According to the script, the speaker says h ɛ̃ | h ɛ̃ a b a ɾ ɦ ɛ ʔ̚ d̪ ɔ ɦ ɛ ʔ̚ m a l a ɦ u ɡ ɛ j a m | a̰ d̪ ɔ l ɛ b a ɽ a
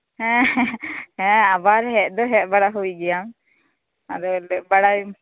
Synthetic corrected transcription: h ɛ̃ | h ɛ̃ a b a ɾ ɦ ɛ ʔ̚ d̪ ɔ ɦ ɛ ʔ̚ b a ɽ a ɦ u ɡ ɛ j a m | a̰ d̪ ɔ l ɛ b a ɽ a